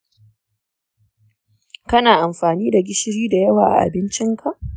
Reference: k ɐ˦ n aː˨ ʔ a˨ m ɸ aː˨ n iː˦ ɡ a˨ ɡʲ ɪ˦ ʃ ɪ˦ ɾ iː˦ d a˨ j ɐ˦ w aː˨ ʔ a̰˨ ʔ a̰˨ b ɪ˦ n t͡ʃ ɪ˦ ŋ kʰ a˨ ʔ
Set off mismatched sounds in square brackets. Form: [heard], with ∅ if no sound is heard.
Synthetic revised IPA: k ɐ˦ n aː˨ ʔ a˨ m ɸ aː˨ n iː˦ [d] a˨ ɡʲ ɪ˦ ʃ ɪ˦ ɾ iː˦ d a˨ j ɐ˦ w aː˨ ʔ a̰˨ ʔ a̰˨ b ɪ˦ n t͡ʃ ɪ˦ ŋ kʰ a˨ ʔ